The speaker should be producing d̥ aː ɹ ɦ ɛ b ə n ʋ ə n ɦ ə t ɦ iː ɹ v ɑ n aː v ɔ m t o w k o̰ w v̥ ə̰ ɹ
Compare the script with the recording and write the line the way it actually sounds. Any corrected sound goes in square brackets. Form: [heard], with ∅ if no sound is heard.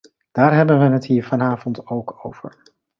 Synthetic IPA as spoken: d̥ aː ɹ ɦ ɛ b ə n ʋ ə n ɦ ə t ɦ iː ɹ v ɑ n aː v ɔ [n] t o w k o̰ w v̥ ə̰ ɹ